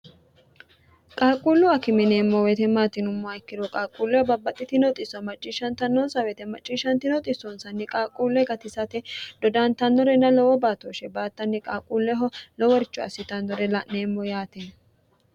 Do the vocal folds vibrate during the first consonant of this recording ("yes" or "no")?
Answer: no